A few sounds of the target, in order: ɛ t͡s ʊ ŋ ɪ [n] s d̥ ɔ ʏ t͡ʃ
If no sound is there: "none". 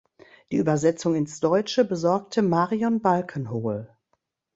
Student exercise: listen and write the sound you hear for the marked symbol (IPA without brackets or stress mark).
n